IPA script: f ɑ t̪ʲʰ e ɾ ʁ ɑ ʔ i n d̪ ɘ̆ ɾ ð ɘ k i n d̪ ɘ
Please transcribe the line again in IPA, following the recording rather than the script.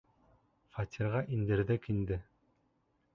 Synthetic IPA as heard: f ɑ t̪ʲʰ i ɾ ʁ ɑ ʔ i n d̪ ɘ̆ ɾ ð ɘ k i n d̪ ɘ